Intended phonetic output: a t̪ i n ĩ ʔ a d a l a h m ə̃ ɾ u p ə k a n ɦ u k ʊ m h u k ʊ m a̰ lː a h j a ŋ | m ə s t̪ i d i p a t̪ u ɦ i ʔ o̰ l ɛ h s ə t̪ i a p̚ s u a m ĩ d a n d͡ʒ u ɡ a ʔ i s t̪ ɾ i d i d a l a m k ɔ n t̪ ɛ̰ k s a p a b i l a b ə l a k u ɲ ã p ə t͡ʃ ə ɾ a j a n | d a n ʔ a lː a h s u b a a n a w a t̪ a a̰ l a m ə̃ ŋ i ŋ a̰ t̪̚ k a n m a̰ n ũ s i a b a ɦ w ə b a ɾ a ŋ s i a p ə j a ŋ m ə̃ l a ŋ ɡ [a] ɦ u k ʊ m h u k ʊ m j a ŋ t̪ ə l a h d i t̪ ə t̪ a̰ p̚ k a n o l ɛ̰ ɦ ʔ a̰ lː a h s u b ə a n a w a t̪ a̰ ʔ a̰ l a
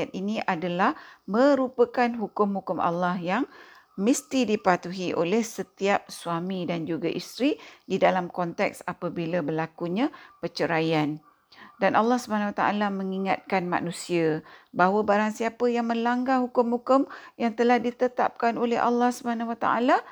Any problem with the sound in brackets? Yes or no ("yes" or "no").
no